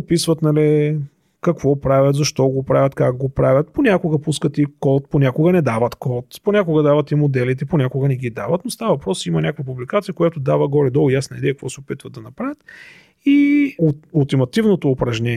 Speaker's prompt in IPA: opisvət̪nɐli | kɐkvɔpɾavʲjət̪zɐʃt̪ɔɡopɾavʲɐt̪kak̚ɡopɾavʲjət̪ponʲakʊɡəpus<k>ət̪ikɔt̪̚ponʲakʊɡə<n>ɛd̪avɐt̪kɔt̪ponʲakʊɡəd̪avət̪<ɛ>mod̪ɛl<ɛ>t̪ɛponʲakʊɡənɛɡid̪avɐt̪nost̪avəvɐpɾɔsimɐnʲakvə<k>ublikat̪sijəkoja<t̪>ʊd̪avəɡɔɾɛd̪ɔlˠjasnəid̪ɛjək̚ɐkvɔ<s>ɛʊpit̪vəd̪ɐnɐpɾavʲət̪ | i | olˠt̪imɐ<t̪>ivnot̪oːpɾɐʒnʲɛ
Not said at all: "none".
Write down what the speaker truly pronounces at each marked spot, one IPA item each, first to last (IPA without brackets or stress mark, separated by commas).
k, n, i, i, p, t̪, s, t̪